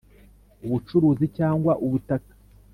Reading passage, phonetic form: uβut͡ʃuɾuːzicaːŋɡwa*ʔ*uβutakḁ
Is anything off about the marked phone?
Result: no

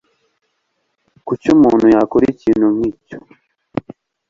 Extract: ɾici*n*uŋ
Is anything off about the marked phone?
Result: no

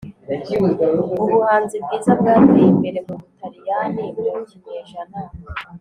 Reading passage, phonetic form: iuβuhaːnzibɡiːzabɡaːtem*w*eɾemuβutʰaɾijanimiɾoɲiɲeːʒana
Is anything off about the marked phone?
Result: yes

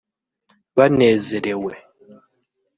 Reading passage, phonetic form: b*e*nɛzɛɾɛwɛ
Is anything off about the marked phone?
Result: yes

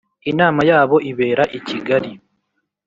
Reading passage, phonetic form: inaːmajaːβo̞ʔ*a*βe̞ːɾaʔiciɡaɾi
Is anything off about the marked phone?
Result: yes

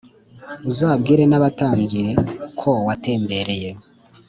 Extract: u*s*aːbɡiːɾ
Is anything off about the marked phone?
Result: yes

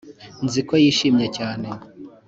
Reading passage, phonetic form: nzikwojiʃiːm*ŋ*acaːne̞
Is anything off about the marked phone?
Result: yes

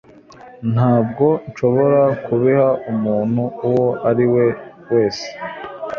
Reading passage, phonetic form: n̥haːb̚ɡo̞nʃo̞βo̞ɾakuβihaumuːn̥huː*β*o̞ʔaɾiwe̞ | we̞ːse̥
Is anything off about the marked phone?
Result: yes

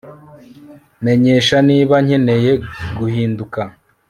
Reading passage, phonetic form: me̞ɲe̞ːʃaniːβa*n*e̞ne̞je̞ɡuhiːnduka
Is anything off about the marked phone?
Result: yes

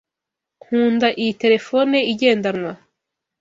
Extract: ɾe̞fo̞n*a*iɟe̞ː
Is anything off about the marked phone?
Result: yes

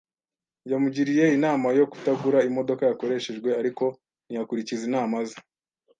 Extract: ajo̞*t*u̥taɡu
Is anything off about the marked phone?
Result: yes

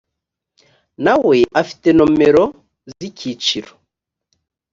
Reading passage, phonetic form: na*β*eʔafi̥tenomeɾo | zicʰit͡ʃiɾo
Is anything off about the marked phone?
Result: yes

